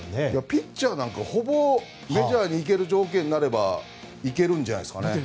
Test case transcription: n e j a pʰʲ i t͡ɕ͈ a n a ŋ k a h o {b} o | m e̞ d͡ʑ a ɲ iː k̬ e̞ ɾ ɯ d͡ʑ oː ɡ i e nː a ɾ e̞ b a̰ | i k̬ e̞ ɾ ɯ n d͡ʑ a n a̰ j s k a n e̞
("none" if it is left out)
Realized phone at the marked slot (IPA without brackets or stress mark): b